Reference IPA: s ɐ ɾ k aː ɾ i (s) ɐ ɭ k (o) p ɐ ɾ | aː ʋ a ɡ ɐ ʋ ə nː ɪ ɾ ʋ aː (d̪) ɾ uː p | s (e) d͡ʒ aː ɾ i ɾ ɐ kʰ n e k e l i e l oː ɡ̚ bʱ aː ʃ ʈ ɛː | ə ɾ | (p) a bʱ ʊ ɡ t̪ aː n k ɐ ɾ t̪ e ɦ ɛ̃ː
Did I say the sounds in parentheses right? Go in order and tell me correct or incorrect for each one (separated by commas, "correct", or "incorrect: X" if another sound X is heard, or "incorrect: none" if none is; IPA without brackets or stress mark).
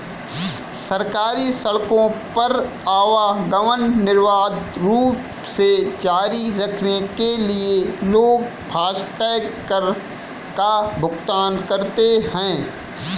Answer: correct, incorrect: õ, correct, correct, incorrect: k